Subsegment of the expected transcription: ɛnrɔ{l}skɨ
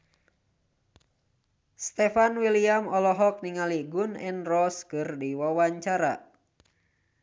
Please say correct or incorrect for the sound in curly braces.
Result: incorrect